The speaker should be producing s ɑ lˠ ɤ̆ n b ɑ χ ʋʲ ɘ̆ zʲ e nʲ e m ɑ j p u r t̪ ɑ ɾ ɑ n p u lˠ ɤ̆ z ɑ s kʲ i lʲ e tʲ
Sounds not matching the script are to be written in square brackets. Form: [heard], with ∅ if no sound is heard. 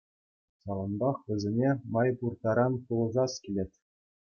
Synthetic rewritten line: s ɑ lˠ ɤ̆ n b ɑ χ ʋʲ ɘ̆ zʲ e nʲ e m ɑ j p u r t̪ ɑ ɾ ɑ n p u lˠ ɤ̆ z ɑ s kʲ i lʲ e tʲ